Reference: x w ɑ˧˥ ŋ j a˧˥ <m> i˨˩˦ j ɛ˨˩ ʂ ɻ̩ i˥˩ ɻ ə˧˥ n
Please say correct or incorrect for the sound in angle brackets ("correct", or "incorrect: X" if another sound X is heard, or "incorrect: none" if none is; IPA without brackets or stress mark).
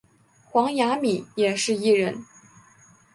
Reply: correct